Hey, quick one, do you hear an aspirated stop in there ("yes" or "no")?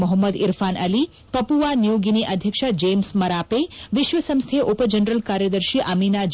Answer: yes